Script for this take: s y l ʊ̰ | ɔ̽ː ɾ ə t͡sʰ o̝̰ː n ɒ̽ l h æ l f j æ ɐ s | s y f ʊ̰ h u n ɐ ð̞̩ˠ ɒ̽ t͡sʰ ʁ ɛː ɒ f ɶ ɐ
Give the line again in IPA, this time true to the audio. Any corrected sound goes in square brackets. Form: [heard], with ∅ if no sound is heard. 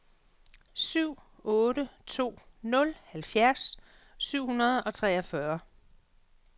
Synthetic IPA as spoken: s y [∅] ʊ̰ | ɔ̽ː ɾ ə t͡sʰ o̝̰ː n [ɔ̽] l h æ l f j æ ɐ s | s y [∅] ʊ̰ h u n ɐ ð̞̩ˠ ɒ̽ t͡sʰ ʁ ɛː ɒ f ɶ ɐ